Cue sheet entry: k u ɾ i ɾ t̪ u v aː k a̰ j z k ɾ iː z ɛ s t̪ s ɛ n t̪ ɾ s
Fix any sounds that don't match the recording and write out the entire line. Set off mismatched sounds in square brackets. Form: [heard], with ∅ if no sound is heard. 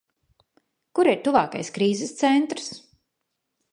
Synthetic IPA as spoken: k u ɾ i ɾ t̪ u v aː k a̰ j [s] k ɾ iː z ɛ s t̪ s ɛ n t̪ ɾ s